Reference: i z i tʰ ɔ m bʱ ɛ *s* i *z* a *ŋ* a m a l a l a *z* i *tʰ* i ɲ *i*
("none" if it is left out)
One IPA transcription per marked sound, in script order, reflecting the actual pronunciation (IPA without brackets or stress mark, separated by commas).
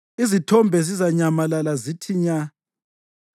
z, z, ɲ, z, tʰ, a